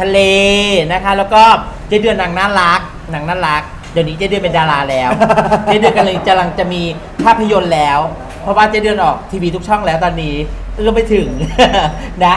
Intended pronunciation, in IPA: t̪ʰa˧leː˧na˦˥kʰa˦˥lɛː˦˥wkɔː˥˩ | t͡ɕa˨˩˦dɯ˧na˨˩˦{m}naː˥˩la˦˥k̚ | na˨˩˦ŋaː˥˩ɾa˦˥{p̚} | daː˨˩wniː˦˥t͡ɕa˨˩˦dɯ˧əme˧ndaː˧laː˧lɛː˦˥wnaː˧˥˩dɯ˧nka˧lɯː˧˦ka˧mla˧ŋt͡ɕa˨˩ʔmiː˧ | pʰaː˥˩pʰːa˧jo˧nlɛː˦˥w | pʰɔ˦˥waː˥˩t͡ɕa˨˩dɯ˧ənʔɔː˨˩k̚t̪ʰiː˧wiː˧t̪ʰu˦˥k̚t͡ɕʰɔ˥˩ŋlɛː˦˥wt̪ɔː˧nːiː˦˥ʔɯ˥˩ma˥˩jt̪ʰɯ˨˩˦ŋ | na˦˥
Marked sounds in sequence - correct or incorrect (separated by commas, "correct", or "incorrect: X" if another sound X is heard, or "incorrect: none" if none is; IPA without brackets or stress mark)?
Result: incorrect: ŋ, incorrect: k̚